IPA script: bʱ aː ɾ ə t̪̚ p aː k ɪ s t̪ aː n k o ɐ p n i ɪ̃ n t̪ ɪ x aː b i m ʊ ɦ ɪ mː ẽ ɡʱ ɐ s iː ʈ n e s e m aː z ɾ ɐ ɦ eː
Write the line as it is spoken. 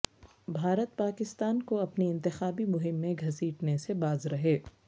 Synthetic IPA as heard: bʱ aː ɾ ə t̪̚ p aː k ɪ s t̪ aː n k o ɐ p n i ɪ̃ n t̪ ɪ x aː b i m ʊ ɦ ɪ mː ẽ ɡʱ ɐ s iː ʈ n e s e b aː z ɾ ɐ ɦ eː

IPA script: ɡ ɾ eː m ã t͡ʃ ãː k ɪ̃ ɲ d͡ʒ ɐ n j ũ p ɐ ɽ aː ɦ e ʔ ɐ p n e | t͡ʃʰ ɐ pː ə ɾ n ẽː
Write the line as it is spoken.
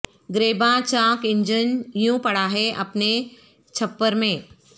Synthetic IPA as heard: ɡ ɾ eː b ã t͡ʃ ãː k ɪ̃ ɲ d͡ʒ ə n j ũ p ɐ ɽ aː ɦ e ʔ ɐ p n e | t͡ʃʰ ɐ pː ə ɾ m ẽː

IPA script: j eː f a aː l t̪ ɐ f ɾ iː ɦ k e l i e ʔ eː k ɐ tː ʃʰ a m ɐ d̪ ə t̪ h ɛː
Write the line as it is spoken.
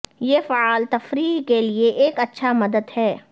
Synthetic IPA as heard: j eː f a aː l t̪ ɐ f ɾ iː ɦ k e l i e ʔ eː k ɐ tː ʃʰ a m ɐ d̪ ə d̪ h ɛː

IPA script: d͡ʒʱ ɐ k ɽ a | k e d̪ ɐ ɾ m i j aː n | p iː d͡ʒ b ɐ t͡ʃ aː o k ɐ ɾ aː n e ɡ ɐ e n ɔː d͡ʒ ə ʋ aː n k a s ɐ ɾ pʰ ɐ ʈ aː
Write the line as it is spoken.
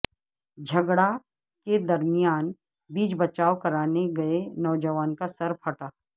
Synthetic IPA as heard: d͡ʒʱ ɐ ɡ ɽ a | k e d̪ ɐ ɾ m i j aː n | b iː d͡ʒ b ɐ t͡ʃ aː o k ɐ ɾ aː n e ɡ ɐ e n ɔː d͡ʒ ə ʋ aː n k a s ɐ ɾ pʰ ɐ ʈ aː

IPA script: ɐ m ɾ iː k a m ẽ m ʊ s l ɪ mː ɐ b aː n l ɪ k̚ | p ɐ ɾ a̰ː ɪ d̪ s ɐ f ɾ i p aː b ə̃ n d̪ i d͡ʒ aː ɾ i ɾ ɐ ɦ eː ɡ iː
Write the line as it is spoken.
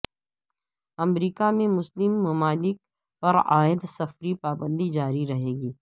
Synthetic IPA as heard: ɐ m ɾ iː k a m ẽ m ʊ s l ɪ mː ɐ m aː l ɪ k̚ | p ɐ ɾ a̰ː ɪ d̪ s ɐ f ɾ i p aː b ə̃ n d̪ i d͡ʒ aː ɾ i ɾ ɐ ɦ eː ɡ iː

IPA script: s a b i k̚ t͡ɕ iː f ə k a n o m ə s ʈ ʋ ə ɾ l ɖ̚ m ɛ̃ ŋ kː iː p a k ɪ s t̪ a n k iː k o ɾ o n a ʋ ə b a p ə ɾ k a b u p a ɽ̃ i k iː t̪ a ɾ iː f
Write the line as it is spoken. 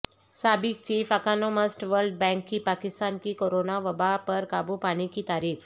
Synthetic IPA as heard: s a b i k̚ t͡ɕ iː f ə k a n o m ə s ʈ ʋ ə ɾ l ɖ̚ b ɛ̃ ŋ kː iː p a k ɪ s t̪ a n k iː k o ɾ o n a ʋ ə b a p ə ɾ k a b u p a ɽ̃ i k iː t̪ a ɾ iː f

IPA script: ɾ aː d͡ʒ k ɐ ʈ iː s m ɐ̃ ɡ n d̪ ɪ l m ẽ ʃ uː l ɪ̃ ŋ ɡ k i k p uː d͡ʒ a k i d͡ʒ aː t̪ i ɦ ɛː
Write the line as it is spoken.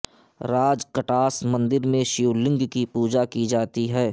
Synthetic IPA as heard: ɾ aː d͡ʒ k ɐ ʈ aː s m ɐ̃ n d̪ ɪ ɾ m ẽ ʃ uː l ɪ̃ ŋ ɡ k i p uː d͡ʒ a k i d͡ʒ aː t̪ i ɦ ɛː

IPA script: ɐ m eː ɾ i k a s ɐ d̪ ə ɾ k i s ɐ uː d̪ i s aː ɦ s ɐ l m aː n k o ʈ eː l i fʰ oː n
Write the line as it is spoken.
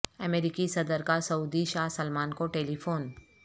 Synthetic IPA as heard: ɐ m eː ɾ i k i s ɐ d̪ ə ɾ k a s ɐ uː d̪ i ʃ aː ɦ s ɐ l m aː n k o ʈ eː l i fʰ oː n

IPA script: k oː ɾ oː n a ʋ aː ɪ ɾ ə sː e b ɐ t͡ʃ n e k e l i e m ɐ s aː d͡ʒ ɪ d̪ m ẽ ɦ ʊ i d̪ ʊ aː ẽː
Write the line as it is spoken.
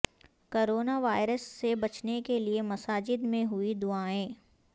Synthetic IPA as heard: k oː ɾ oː n a ʋ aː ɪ ɾ ə sː e b ɐ t͡ʃ n e k e l i e m ɐ s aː d͡ʒ ɪ d̪ m ẽ ɦ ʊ i d̪ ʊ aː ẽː

